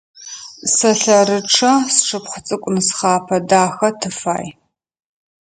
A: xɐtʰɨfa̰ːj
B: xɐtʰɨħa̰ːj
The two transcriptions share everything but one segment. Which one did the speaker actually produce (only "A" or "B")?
A